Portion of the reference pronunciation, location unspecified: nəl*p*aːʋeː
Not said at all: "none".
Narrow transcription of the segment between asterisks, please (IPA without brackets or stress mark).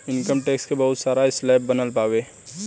p